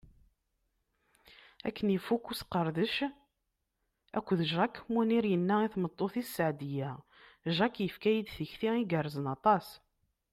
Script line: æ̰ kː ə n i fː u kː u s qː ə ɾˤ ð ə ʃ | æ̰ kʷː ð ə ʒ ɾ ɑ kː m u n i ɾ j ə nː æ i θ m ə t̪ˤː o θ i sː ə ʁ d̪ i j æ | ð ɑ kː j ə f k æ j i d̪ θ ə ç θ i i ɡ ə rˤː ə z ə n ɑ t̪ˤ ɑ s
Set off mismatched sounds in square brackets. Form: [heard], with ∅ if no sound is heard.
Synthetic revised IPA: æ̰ kː ə n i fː u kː u s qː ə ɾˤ ð ə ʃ | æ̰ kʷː ð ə ʒ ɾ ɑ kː m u n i ɾ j ə nː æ i θ m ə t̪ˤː o θ i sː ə [ʕ] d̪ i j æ | [ʒ] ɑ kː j ə f k æ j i d̪ θ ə ç θ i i ɡ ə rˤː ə z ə n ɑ t̪ˤ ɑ s